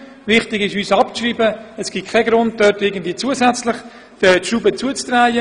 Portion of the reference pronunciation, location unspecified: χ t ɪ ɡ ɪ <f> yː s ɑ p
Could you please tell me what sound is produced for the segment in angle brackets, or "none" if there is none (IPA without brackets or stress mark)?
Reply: ʃ